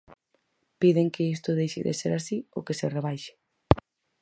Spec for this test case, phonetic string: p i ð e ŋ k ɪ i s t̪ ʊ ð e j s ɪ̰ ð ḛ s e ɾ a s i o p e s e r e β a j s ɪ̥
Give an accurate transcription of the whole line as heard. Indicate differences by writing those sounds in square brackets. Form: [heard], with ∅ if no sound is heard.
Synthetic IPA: p i ð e ŋ k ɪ i s t̪ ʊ ð e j [ʃ] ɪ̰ ð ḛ s e ɾ a s i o [k] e s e r e β a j [ʃ] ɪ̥

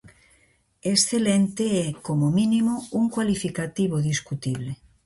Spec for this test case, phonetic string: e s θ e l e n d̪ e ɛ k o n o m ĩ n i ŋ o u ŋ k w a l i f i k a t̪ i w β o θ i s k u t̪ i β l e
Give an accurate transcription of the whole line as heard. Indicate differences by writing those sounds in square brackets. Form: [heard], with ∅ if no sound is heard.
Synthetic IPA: e s θ e l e n [t̪] e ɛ k o [m] o m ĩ n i [m] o u ŋ k w a l i f i k a t̪ i [∅] β o [ð] i s k u t̪ i β l e

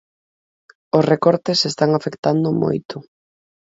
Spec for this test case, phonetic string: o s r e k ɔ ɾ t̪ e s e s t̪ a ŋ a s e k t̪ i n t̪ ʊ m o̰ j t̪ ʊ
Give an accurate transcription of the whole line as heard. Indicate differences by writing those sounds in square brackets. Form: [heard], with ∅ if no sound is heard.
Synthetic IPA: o s r e k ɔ ɾ t̪ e s e s t̪ a ŋ a [f] e k t̪ [a] n [d̪] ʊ m o̰ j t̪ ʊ

